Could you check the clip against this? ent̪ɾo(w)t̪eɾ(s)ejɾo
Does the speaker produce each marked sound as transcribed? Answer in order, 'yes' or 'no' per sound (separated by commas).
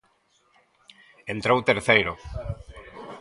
yes, no